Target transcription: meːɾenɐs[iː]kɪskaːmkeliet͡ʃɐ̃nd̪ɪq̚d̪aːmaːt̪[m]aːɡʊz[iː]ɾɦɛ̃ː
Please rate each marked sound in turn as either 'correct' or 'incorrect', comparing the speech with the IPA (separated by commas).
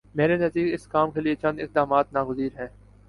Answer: correct, incorrect, correct